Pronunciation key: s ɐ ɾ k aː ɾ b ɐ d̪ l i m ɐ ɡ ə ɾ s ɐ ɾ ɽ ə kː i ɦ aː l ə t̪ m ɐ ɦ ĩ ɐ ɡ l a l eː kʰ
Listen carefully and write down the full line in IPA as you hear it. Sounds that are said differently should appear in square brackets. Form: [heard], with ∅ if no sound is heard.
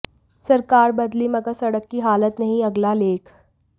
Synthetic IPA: s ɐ ɾ k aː ɾ b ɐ d̪ l i m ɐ ɡ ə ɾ s ɐ [∅] ɽ ə kː i ɦ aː l ə t̪ [n] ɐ ɦ ĩ ɐ ɡ l a l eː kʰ